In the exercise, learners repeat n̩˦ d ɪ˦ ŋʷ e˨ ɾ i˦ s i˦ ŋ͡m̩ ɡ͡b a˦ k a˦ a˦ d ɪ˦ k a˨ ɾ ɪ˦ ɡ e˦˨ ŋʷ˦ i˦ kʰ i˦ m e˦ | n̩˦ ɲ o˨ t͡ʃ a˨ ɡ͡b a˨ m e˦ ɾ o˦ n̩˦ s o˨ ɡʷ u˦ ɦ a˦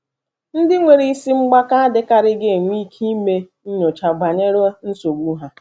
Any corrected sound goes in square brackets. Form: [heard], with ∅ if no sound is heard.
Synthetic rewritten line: n̩˦ d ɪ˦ ŋʷ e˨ ɾ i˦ s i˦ ŋ͡m̩ ɡ͡b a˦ k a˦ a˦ d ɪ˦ k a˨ ɾ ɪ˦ ɡ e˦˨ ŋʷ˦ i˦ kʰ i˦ m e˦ | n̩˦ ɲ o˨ t͡ʃ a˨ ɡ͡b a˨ [ɲ] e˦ ɾ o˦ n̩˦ s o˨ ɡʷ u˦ ɦ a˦

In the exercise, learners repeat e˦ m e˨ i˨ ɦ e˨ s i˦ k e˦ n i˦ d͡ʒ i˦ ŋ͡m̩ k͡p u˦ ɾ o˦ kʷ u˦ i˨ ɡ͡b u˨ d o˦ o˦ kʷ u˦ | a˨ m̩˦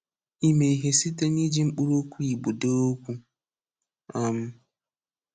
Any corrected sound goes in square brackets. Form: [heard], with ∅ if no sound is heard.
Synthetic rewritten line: [i˦] m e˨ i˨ ɦ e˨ s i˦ [t] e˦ n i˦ d͡ʒ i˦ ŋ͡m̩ k͡p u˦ ɾ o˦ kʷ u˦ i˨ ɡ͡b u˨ d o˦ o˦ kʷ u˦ | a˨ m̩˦

